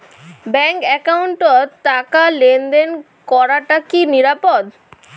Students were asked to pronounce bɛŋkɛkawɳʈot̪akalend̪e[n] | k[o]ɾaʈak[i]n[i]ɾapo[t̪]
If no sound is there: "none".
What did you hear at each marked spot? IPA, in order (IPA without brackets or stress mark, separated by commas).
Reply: n, ɔ, i, i, d̪